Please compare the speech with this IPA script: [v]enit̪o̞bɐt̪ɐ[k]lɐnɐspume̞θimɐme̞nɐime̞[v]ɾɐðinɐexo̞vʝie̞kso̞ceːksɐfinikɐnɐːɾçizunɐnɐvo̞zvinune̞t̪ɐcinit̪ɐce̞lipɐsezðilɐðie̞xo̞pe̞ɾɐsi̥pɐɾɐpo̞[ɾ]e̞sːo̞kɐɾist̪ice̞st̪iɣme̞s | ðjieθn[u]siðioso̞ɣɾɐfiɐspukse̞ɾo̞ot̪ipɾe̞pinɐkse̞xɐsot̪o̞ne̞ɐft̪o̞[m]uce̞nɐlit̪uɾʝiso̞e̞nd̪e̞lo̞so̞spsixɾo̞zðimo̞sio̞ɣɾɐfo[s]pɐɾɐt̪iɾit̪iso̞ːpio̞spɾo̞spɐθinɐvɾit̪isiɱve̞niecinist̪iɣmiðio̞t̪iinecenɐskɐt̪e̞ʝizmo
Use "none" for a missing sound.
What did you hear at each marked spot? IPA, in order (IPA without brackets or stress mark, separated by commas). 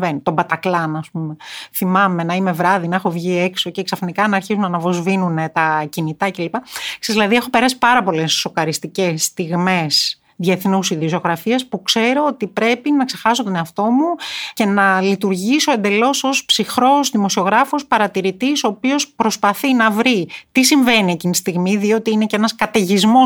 v, k, v, l, u, m, s